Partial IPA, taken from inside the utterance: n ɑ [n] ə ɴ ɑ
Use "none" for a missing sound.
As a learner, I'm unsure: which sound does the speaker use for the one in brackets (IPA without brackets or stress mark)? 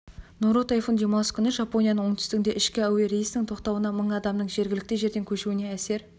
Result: m